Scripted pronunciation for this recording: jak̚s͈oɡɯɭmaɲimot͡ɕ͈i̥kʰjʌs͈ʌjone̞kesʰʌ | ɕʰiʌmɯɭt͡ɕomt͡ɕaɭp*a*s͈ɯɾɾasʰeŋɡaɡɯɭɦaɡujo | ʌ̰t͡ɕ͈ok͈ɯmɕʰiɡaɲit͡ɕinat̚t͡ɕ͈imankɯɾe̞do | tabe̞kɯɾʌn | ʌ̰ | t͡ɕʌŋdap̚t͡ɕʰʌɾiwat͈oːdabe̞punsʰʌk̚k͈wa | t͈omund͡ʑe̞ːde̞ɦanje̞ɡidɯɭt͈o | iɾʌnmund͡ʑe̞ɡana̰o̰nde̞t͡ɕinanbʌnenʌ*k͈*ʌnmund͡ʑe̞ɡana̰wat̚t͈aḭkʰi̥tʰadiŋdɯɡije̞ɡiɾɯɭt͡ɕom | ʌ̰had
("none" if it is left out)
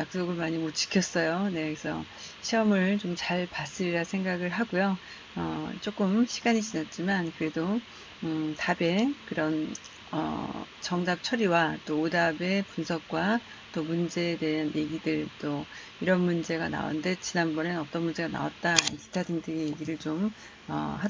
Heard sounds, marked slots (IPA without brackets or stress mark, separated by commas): a, t͈